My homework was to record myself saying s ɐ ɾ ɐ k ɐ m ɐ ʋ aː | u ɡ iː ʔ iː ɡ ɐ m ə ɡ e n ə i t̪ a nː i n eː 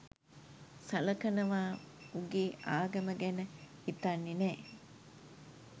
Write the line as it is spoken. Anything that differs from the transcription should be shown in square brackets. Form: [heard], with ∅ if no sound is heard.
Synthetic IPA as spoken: s ɐ [l] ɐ k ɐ [n] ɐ ʋ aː | u ɡ iː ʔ [aː] ɡ ɐ m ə ɡ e n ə i t̪ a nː i n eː